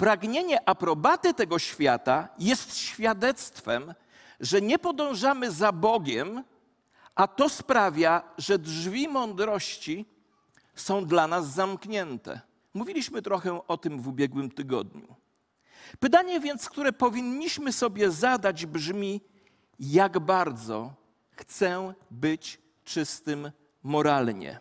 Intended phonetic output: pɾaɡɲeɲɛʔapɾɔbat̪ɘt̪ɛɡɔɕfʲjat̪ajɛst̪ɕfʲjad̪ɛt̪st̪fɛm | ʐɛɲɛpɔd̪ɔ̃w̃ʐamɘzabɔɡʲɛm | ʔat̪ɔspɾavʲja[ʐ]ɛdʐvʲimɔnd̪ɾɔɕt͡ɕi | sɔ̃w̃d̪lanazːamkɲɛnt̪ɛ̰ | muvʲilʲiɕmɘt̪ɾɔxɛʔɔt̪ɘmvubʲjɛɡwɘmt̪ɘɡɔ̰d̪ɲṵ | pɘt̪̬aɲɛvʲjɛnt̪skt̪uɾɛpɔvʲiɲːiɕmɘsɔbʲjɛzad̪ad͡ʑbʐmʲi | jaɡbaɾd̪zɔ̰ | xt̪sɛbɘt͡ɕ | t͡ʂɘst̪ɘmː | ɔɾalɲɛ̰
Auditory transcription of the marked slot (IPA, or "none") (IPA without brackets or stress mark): ʐ